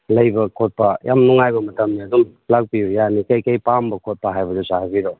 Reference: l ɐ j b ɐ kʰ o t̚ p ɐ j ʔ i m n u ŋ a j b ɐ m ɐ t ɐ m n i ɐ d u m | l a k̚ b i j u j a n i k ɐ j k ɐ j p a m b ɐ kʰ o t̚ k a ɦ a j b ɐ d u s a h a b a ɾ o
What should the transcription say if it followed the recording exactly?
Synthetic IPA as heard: l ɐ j b ɐ kʰ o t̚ p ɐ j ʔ a m n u ŋ a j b ɐ m ɐ t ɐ m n i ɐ d u m | l a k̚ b i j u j a n i k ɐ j k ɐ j p a m b ɐ kʰ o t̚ p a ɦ a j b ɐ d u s a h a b i ɾ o

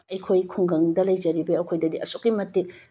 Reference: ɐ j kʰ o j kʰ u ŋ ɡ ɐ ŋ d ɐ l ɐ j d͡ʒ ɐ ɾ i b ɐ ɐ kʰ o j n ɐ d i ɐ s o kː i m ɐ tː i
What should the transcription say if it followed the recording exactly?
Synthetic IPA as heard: ɐ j kʰ o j kʰ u ŋ ɡ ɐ ŋ d ɐ l ɐ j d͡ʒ ɐ ɾ i b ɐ ɐ kʰ o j d ɐ d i ɐ s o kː i m ɐ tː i

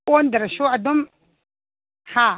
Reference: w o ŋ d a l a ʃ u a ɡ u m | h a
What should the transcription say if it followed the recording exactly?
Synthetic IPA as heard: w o n d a ɾ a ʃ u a d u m | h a

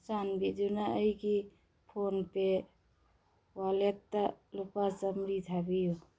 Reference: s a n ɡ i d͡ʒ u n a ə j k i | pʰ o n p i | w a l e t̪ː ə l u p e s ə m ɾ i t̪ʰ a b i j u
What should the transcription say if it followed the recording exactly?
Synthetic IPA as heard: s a n b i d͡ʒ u n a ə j k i | pʰ o n p e | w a l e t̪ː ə l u p a s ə m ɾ i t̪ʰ a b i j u

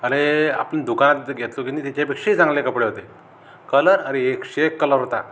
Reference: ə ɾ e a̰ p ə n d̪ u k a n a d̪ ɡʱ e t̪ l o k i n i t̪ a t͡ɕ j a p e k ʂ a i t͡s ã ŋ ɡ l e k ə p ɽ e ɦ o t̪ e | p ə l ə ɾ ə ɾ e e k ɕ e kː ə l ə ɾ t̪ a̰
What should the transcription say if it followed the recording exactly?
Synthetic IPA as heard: ə ɾ e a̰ p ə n d̪ u k a n a t̪ ɡʱ e t̪ l o k i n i t̪ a t͡ɕ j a p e k ʂ e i t͡s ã ŋ ɡ l e k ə p ɽ e ɦ o t̪ e | k ə l ə ɾ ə ɾ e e k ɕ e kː ə l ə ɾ t̪ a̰

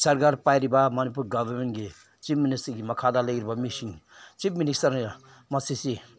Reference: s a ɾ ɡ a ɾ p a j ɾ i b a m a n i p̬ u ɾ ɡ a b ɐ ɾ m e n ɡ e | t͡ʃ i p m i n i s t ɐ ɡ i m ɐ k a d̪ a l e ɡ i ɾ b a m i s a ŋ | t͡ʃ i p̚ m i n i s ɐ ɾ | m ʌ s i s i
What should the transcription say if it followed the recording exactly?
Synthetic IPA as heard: s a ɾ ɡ a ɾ p a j ɾ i b a m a n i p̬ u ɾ ɡ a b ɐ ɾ m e n ɡ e | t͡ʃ i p m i n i s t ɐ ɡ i m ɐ kʰ a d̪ a l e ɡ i ɾ b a m i s i ŋ | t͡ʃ i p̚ m i n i s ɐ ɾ | m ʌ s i s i

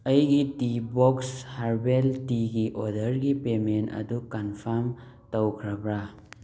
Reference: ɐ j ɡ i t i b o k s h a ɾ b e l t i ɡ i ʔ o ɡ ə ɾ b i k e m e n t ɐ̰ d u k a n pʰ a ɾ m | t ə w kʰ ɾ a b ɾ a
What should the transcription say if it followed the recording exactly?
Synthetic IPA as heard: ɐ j ɡ i t i b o k s h a ɾ b e l t i ɡ i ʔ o d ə ɾ ɡ i p e m e n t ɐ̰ d u k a n pʰ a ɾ m | t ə w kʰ ɾ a b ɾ a

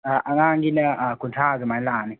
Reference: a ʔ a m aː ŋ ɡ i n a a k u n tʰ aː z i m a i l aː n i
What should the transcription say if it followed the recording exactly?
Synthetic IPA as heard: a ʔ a ŋ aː ŋ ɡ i n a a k u n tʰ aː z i m a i l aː n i

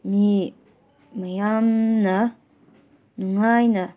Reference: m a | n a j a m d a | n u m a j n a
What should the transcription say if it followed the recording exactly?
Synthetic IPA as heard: m i | m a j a m n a | n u ŋ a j n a

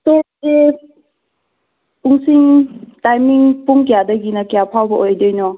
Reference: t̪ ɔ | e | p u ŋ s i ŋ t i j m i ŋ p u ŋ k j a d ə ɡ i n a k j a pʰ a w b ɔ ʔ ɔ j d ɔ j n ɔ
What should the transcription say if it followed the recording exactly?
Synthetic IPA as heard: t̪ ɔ | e | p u ŋ s i ŋ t a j m i ŋ p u ŋ k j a d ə ɡ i n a k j a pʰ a w b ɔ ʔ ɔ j d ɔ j n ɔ

